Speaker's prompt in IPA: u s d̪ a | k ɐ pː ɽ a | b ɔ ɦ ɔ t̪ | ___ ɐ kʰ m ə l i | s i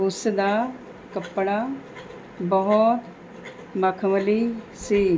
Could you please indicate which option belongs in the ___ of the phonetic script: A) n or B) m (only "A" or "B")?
B